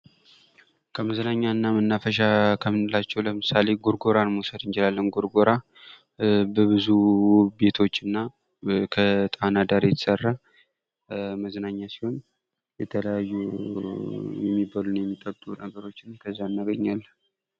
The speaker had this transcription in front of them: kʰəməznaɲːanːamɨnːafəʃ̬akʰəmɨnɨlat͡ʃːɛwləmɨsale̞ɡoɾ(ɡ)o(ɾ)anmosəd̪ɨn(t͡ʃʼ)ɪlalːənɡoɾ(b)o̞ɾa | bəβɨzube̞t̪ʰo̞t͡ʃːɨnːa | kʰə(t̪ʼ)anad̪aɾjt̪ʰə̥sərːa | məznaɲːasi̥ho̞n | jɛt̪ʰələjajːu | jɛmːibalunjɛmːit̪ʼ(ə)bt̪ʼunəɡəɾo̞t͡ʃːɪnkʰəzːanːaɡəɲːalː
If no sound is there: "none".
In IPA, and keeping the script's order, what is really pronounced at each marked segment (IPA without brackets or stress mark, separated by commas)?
ɡ, ɾ, t͡ʃ, ɡ, t̪ʼ, ə